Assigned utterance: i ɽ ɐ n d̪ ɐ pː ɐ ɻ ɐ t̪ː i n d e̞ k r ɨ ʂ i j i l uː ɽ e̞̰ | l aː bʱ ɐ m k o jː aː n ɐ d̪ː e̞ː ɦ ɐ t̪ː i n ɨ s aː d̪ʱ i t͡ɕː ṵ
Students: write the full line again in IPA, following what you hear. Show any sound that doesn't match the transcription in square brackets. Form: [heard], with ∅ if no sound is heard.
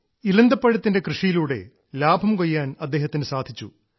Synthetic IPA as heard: i [l] ɐ n d̪ ɐ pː ɐ ɻ ɐ t̪ː i n d e̞ k r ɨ ʂ i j i l uː ɽ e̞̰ | l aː bʱ ɐ m k o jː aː n ɐ d̪ː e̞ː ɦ ɐ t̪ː i n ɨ s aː d̪ʱ i t͡ɕː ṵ